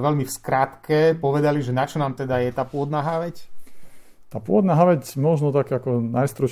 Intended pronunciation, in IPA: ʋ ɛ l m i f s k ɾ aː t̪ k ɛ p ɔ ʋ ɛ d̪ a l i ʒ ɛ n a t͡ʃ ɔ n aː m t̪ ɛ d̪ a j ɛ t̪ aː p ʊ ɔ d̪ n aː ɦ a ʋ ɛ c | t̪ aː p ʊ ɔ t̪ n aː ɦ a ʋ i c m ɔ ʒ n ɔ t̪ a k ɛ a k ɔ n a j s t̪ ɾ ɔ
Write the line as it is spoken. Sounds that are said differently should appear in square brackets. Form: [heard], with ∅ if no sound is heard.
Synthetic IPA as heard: ʋ ɛ l m i f s k ɾ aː t̪ k ɛ p ɔ ʋ ɛ d̪ a l i ʒ ɛ n a t͡ʃ ɔ n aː m t̪ ɛ d̪ a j ɛ t̪ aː p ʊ ɔ d̪ n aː ɦ a ʋ ɛ c | t̪ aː p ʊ ɔ [d̪] n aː ɦ a ʋ [ɛ] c m ɔ ʒ n ɔ t̪ a k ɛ a k ɔ n a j s t̪ ɾ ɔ